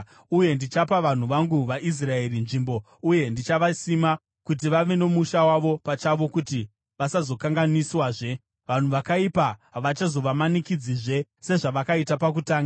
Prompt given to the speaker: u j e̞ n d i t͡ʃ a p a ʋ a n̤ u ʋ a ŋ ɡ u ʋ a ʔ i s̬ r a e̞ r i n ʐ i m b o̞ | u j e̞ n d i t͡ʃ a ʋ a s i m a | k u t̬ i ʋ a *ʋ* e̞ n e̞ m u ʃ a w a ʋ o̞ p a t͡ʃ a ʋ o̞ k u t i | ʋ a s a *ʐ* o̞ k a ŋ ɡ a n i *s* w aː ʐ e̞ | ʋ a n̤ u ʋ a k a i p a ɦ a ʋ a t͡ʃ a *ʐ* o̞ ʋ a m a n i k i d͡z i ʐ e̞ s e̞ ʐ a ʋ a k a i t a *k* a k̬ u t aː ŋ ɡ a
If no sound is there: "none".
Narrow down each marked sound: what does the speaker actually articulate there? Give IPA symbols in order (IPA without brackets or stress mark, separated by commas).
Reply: ʋ, z, s, z, p